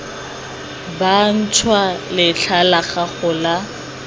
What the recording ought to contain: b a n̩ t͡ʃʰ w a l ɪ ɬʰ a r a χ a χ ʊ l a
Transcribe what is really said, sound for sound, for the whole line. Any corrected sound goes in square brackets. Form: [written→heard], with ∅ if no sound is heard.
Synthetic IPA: b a n̩ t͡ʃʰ w a l ɪ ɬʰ a [r→l] a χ a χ ʊ l a